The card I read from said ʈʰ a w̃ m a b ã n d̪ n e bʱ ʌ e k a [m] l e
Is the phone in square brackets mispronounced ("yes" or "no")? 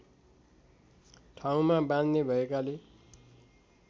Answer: yes